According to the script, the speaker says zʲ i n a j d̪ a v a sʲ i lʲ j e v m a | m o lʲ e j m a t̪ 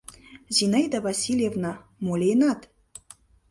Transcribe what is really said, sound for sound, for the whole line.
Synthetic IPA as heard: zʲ i n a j d̪ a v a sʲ i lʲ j e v n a | m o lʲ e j n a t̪